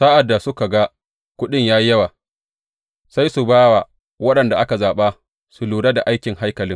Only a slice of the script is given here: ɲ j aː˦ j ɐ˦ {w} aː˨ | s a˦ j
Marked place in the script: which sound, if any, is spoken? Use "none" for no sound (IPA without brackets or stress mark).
w